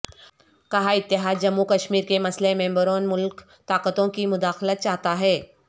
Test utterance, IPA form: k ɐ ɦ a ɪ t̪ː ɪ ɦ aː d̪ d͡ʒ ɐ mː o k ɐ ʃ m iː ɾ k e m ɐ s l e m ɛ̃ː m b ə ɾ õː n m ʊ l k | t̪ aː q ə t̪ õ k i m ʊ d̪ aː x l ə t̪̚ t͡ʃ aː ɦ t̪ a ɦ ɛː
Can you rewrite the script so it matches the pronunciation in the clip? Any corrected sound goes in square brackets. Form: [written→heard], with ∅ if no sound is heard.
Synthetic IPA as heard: k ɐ ɦ a ɪ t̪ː ɪ ɦ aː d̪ d͡ʒ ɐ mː [o→u] k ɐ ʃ m iː ɾ k e m ɐ s l e m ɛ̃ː m b ə ɾ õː n m ʊ l k | t̪ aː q ə t̪ õ k i m ʊ d̪ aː x l ə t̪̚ t͡ʃ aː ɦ t̪ a ɦ ɛː